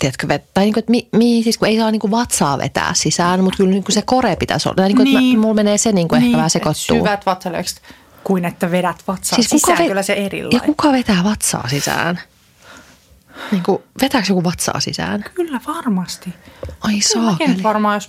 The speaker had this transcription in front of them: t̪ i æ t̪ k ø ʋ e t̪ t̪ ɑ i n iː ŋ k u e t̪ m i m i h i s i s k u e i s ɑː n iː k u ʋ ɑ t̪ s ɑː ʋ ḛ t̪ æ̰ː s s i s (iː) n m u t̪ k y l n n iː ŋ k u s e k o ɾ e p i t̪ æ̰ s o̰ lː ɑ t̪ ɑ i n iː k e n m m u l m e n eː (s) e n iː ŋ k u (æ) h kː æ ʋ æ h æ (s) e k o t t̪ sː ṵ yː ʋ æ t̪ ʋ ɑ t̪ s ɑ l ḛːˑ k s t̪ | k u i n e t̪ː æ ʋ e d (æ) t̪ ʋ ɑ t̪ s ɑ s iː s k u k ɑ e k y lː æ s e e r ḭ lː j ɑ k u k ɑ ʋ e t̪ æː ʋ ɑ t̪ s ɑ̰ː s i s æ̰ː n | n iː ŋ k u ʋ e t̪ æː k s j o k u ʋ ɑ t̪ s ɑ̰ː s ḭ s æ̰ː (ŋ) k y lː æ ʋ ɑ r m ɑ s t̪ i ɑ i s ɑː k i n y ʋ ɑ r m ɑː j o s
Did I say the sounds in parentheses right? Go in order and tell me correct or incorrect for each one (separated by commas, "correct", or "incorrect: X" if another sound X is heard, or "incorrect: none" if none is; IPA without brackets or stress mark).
incorrect: æː, correct, incorrect: e, correct, correct, incorrect: n